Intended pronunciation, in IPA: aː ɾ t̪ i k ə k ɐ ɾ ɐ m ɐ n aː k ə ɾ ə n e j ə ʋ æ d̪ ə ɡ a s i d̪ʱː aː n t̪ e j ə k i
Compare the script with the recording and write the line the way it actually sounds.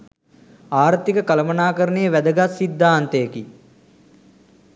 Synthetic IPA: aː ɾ t̪ i k ə k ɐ l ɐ m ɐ n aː k ə ɾ ə n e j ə ʋ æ d̪ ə ɡ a s i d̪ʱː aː n t̪ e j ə k i